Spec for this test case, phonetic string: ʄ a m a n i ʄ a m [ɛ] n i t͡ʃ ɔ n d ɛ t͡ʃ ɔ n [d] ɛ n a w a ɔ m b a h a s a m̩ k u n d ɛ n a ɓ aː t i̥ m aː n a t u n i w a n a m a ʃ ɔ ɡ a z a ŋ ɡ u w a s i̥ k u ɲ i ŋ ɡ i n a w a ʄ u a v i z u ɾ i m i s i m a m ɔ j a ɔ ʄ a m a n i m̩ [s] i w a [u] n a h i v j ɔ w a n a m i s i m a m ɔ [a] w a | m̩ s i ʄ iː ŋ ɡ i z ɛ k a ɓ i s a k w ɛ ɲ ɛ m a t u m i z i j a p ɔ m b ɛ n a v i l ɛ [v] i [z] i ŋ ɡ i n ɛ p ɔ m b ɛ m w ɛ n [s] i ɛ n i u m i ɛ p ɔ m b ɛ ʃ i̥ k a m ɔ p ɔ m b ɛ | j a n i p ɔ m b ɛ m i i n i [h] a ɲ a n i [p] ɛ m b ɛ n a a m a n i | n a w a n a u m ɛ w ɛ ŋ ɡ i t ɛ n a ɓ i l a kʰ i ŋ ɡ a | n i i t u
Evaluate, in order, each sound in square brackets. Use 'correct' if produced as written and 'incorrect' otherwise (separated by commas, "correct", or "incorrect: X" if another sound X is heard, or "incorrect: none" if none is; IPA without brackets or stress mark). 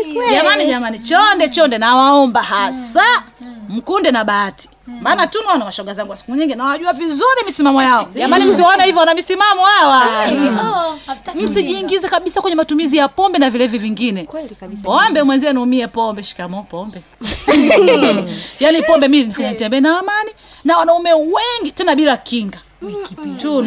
incorrect: a, correct, correct, incorrect: ɔ, correct, correct, incorrect: v, incorrect: z, incorrect: f, incorrect: t